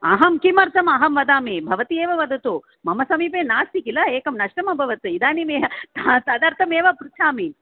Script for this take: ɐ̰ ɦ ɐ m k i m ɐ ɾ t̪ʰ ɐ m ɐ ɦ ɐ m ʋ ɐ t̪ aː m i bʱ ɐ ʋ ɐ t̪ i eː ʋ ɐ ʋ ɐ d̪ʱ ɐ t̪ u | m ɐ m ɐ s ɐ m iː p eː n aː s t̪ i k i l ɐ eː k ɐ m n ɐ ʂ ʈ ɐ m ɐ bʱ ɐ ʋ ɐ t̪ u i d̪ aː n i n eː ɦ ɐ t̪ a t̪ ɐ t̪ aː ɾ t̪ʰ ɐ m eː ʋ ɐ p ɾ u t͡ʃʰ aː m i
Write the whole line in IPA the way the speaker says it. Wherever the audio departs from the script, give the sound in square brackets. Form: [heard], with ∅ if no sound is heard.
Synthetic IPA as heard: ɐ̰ ɦ ɐ m k i m ɐ ɾ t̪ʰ ɐ m ɐ ɦ ɐ m ʋ ɐ [d̪] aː m i bʱ ɐ ʋ ɐ t̪ i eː ʋ ɐ ʋ ɐ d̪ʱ ɐ t̪ u | m ɐ m ɐ s ɐ m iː p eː n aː s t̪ i k i l ɐ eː k ɐ m n ɐ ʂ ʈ ɐ m ɐ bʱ ɐ ʋ ɐ t̪ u i d̪ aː n i [m] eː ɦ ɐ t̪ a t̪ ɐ [d̪] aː ɾ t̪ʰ ɐ m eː ʋ ɐ p ɾ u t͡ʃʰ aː m i